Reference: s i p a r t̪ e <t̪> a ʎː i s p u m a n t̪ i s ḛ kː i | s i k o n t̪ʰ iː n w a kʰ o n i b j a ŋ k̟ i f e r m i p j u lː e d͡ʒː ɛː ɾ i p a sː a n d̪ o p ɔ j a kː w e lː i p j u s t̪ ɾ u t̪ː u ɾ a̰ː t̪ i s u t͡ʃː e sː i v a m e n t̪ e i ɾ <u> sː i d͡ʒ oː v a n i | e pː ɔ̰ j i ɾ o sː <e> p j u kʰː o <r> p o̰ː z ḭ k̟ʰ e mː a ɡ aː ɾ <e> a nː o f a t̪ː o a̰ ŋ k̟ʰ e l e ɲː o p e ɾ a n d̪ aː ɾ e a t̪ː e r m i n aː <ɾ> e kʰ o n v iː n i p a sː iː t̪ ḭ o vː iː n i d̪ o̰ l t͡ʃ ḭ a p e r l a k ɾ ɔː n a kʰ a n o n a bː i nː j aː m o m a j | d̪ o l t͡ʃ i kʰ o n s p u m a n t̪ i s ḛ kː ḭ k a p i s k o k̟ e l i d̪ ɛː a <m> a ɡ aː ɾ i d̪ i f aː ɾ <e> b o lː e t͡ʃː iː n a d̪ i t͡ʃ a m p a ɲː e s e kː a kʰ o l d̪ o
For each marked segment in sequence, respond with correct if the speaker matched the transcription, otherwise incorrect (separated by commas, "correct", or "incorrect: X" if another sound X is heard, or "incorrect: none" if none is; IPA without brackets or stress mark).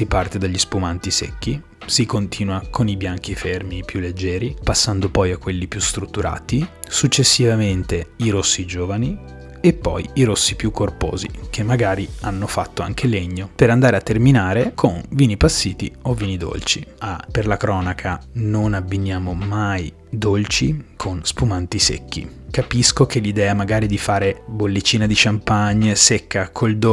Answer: incorrect: d̪, incorrect: o, incorrect: i, correct, incorrect: i, correct, correct, correct